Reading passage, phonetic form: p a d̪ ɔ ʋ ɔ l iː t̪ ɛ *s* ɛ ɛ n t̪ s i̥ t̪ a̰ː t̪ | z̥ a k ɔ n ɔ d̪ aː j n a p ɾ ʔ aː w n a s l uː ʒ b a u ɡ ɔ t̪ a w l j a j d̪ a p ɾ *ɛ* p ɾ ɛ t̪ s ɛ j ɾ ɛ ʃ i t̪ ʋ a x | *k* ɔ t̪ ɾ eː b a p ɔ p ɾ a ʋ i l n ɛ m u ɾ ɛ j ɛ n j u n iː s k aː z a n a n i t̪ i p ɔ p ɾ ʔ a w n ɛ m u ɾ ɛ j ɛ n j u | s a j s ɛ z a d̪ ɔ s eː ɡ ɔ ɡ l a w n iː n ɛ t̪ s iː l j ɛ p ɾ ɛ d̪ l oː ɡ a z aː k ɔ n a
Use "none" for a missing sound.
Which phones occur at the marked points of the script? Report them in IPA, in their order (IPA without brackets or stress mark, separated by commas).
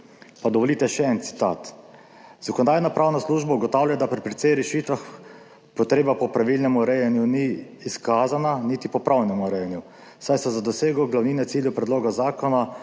ʃ, i, p